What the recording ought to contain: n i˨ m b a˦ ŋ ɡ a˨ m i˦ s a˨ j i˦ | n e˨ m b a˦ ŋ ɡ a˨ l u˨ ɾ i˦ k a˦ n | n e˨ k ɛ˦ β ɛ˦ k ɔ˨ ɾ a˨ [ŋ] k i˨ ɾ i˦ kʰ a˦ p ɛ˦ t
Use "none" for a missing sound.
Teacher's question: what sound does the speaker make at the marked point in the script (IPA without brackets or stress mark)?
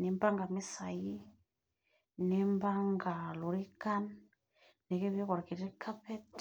none